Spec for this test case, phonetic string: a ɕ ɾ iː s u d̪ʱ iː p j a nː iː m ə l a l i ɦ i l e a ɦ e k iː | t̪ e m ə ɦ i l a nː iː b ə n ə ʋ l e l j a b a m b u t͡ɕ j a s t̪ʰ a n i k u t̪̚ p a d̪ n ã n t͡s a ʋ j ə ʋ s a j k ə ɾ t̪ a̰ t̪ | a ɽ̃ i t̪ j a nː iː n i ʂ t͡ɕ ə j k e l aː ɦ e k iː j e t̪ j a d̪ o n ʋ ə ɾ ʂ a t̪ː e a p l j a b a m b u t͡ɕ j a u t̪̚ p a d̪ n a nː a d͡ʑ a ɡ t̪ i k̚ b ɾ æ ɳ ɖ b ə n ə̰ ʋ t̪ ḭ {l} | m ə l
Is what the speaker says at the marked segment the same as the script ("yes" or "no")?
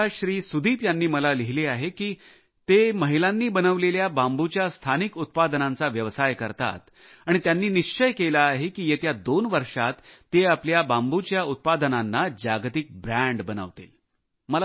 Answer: yes